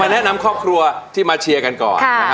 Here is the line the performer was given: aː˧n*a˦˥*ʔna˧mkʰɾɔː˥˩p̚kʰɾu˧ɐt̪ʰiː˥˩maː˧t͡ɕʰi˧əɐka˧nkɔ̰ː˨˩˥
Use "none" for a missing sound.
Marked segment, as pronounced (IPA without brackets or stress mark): ɛ˦˥